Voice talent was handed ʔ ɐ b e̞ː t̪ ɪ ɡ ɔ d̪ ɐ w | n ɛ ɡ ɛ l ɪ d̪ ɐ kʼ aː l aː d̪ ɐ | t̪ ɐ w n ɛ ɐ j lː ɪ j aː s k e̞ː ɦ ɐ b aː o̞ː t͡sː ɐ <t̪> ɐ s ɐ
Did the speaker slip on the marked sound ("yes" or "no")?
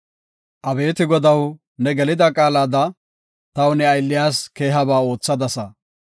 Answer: yes